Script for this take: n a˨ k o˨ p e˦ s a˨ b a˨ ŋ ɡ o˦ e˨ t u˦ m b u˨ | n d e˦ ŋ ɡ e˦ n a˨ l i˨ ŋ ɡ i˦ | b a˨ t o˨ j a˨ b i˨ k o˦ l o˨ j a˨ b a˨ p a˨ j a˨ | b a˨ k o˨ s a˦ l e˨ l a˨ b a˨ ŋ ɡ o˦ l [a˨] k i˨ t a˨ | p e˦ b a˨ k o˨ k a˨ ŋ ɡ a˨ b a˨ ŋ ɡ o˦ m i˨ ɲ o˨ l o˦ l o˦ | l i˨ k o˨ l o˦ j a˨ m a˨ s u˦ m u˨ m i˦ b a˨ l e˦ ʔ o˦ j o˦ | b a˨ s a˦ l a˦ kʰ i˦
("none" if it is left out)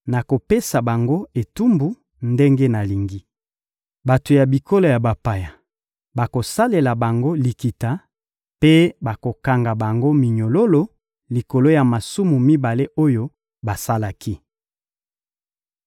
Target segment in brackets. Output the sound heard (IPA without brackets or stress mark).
i˨